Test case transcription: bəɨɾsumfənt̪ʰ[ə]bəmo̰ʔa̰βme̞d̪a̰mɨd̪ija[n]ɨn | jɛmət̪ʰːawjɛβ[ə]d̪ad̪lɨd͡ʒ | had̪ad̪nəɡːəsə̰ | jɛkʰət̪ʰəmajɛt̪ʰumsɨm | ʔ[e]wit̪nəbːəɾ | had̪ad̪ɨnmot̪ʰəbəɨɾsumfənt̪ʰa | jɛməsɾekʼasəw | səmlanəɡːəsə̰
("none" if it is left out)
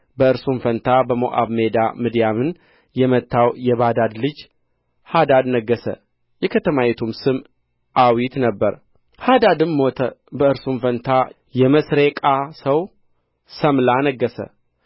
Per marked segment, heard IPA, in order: a, m, a, a

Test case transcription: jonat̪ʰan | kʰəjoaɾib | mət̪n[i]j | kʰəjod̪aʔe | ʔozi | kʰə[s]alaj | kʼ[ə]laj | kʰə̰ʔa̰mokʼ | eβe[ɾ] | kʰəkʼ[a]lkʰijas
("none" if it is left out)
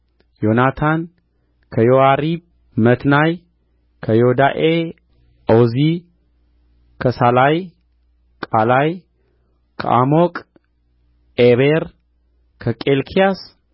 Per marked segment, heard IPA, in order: a, s, a, ɾ, e

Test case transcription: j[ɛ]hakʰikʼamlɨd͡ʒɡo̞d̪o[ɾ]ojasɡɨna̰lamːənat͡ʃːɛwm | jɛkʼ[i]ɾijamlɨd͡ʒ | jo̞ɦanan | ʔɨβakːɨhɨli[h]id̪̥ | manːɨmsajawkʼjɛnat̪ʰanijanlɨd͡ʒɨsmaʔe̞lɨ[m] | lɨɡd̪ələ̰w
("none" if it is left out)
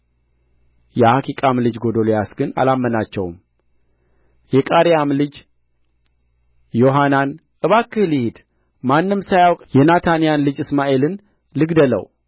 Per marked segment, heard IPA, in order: ɛ, l, a, h, n

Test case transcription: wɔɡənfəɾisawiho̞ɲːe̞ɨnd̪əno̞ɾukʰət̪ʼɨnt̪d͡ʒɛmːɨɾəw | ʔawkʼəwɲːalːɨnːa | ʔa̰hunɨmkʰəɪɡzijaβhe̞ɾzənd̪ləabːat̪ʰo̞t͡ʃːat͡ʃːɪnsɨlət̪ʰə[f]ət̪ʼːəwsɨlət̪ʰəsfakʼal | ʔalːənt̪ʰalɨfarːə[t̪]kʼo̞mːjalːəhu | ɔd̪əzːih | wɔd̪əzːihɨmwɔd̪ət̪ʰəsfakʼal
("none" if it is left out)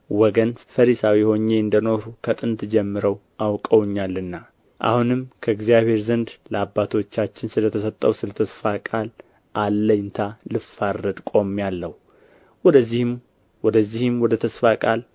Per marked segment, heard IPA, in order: s, d̪

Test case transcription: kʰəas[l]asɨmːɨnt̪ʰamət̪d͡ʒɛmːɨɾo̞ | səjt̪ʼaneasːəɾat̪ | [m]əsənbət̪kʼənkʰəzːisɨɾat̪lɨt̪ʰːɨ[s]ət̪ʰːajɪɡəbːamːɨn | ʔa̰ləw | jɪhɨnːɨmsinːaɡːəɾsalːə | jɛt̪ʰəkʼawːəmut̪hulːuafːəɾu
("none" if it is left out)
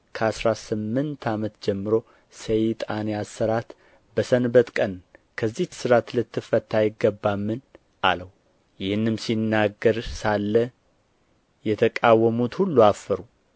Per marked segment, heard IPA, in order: ɾ, b, f

